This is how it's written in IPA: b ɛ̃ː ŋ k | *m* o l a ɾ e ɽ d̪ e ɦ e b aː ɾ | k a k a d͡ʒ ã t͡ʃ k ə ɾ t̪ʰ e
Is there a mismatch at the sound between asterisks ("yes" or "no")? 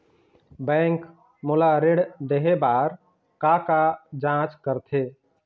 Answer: no